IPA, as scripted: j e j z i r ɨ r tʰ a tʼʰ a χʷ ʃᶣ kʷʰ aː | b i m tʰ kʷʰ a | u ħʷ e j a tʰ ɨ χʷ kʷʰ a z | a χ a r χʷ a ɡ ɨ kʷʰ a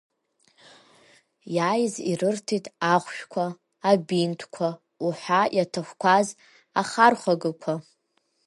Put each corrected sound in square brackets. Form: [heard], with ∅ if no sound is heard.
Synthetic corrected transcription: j [a] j z i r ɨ r tʰ [i] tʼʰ a χʷ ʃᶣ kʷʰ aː | b i [n] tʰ kʷʰ a | u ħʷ [a] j a tʰ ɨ χʷ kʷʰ a z | a χ a r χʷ a ɡ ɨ kʷʰ a